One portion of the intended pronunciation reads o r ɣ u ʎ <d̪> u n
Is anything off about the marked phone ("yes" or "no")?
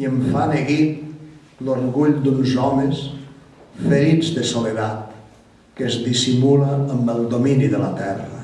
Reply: no